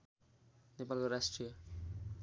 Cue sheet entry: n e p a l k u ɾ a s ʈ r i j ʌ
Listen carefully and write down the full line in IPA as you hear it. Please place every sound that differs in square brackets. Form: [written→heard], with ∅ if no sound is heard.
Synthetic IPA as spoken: n e p a l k [u→o] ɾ a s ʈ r i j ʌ